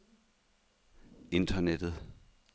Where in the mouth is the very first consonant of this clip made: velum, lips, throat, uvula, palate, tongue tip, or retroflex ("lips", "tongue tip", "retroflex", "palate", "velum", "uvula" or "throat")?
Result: tongue tip